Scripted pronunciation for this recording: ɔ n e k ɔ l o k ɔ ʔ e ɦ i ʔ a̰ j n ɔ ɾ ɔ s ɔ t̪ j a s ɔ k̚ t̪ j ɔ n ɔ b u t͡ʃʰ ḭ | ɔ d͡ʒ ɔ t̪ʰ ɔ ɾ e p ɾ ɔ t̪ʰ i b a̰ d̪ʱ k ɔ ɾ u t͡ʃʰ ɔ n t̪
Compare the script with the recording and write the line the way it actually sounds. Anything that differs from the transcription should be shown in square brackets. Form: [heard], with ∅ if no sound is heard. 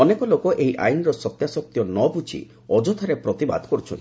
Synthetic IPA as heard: ɔ n e k ɔ l o k ɔ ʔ e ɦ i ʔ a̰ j n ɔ ɾ ɔ s ɔ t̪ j a s ɔ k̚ t̪ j ɔ n ɔ b u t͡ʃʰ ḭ | ɔ d͡ʒ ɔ t̪ʰ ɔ ɾ e p ɾ ɔ [t̪] i b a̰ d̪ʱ k ɔ ɾ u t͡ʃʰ ɔ n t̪

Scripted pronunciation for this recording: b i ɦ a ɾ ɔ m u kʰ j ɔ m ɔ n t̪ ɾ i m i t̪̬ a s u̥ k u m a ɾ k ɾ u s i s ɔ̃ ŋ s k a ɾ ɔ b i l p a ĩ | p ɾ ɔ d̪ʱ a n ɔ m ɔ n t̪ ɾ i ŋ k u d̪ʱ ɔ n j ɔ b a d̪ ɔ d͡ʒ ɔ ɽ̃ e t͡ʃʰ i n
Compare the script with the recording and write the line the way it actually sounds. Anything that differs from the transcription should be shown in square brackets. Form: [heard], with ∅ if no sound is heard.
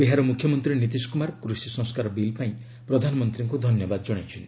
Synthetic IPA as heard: b i ɦ a ɾ ɔ m u kʰ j ɔ m ɔ n t̪ ɾ i [n] i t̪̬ [i] s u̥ k u m a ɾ k ɾ u s i s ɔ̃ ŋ s k a ɾ ɔ b i l p a ĩ | p ɾ ɔ d̪ʱ a n ɔ m ɔ n t̪ ɾ i ŋ k u d̪ʱ ɔ n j ɔ b a d̪ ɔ d͡ʒ ɔ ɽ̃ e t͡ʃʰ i n

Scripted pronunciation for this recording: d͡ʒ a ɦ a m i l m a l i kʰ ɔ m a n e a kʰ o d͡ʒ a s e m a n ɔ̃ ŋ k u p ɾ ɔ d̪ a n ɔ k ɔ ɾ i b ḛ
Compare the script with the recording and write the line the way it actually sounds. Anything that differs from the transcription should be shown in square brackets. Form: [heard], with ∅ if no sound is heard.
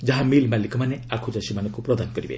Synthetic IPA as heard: d͡ʒ a ɦ a m i l m a l i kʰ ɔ m a n e a kʰ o d͡ʒ a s [i] m a n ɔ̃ ŋ k u p ɾ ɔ d̪ a n ɔ k ɔ ɾ i b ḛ

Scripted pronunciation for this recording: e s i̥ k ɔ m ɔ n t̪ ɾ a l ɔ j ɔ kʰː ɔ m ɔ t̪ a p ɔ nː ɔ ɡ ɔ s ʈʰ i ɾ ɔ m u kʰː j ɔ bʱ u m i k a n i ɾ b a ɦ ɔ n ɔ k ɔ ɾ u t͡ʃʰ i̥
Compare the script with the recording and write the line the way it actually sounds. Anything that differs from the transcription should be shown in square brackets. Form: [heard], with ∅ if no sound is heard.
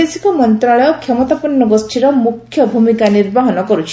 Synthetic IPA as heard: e s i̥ k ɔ m ɔ n t̪ ɾ a [ɭ] ɔ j ɔ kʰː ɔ m ɔ t̪ a p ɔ nː ɔ ɡ ɔ s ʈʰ i ɾ ɔ m u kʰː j ɔ bʱ u m i k a n i ɾ b a ɦ ɔ n ɔ k ɔ ɾ u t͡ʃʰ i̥

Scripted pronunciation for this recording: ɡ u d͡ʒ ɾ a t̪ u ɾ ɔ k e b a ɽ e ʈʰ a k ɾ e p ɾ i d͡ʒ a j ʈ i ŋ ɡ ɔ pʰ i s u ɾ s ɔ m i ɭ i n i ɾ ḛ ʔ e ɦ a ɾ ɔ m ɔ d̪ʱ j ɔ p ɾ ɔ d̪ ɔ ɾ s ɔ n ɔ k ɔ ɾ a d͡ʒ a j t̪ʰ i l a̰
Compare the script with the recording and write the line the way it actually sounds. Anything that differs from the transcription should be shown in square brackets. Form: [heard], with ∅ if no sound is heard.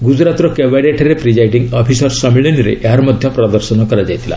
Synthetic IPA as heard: ɡ u d͡ʒ ɾ a t̪ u ɾ ɔ k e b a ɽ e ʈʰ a [∅] ɾ e p ɾ i d͡ʒ a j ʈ i ŋ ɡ ɔ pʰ i s [ɔ] ɾ s ɔ m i ɭ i n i ɾ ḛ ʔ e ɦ a ɾ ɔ m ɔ d̪ʱ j ɔ p ɾ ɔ d̪ ɔ ɾ s ɔ n ɔ k ɔ ɾ a d͡ʒ a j t̪ʰ i l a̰

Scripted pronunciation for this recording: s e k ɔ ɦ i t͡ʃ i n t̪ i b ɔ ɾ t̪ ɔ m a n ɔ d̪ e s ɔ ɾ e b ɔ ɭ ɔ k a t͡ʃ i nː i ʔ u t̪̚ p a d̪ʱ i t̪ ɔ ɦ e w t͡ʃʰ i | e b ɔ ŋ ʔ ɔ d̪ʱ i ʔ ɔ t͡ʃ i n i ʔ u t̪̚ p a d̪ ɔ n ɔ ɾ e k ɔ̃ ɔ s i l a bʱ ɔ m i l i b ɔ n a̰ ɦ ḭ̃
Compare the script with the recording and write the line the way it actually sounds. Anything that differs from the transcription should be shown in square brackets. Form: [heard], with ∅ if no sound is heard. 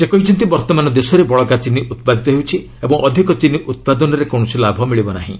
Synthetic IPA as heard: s e k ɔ ɦ i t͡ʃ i n t̪ i b ɔ ɾ t̪ ɔ m a n ɔ d̪ e s ɔ ɾ e b ɔ ɭ ɔ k a t͡ʃ i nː i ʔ u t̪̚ p a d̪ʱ i t̪ ɔ ɦ e w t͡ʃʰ i | e b ɔ ŋ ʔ ɔ d̪ʱ i [k] ɔ t͡ʃ i n i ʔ u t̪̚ p a d̪ ɔ n ɔ ɾ e k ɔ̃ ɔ s i l a bʱ ɔ m i [ɭ] i b ɔ n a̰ ɦ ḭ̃

